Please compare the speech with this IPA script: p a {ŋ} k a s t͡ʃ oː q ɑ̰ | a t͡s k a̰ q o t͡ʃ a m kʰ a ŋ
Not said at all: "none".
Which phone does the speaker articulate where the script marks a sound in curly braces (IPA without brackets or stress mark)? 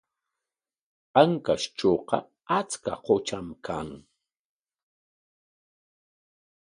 ŋ